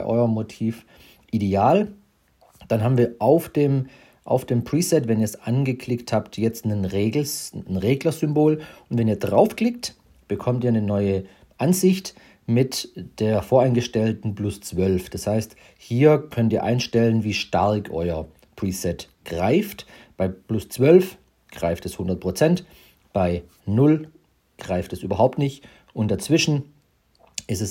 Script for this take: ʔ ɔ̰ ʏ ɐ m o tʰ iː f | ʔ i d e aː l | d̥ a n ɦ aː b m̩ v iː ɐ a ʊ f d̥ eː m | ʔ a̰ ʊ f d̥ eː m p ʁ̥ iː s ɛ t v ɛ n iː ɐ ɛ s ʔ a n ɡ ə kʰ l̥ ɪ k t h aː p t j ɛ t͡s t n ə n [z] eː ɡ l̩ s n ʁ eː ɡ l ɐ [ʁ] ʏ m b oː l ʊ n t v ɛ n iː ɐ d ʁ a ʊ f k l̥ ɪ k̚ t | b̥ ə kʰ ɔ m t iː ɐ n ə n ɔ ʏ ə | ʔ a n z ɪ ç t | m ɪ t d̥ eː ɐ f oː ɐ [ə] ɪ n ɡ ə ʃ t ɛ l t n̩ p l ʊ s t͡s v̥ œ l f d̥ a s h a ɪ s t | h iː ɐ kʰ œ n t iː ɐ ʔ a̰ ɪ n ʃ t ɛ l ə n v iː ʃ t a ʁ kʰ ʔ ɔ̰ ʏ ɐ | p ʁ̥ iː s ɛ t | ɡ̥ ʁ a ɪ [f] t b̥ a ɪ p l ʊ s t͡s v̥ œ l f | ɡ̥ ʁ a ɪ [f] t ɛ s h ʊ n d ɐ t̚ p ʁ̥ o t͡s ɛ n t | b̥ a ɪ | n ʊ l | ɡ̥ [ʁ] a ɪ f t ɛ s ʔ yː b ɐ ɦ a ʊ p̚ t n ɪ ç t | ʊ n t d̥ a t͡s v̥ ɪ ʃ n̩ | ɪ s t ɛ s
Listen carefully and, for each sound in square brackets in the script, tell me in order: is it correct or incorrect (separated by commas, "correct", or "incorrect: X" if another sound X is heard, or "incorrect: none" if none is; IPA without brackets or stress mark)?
incorrect: ʁ, incorrect: z, incorrect: a, correct, correct, correct